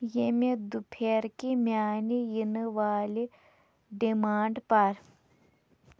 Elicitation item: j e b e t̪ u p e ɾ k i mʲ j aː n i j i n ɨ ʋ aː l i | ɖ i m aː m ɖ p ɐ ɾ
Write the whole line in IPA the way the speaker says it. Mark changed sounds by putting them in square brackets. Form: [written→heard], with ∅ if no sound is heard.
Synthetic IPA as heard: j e [b→m] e [t̪→d̪] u [p→pʰ] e ɾ k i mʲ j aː n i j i n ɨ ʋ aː l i | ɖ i m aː [m→ɳ] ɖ p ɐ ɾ